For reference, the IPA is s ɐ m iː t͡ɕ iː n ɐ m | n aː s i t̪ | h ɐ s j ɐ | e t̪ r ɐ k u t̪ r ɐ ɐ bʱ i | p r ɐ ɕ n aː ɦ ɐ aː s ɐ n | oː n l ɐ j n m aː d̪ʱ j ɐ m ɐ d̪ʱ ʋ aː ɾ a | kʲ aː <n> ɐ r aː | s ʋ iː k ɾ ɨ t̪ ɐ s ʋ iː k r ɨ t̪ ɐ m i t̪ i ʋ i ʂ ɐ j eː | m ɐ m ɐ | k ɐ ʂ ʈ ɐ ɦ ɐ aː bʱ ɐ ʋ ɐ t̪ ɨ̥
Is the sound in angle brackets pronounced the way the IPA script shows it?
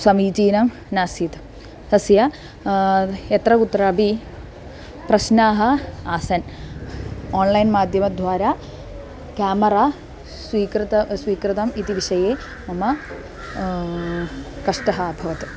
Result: no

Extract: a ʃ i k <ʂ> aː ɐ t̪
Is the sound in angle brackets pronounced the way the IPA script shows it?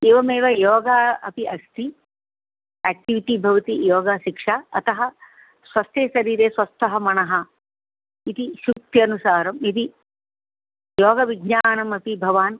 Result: yes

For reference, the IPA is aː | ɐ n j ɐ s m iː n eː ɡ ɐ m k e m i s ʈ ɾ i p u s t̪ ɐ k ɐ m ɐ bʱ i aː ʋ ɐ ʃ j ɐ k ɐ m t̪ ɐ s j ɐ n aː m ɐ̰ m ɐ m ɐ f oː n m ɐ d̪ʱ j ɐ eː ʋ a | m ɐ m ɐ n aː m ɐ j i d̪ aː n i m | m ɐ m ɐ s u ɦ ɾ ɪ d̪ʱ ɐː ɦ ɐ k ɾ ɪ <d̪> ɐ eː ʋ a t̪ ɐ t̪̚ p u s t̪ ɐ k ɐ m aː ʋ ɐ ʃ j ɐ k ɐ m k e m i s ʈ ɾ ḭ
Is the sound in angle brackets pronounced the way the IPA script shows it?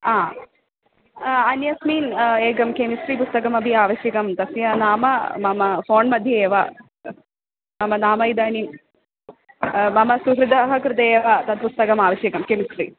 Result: no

